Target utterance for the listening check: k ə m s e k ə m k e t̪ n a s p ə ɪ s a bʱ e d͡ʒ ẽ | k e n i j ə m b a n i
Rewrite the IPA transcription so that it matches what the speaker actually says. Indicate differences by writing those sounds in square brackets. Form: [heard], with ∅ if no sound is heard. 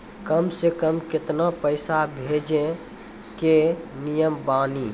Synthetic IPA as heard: k ə m s e k ə m k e t̪ n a [∅] p ə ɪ s a bʱ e d͡ʒ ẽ | k e n i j ə m b a n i